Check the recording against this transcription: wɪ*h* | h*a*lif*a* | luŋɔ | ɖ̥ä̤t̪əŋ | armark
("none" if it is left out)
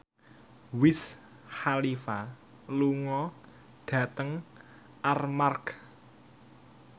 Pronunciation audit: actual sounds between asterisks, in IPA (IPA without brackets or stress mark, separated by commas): s, a, a